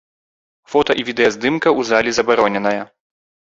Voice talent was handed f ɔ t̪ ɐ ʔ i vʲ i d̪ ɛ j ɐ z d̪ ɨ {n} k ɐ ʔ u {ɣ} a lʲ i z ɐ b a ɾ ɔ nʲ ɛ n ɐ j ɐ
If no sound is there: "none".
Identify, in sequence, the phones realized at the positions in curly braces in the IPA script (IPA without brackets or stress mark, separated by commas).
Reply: m, z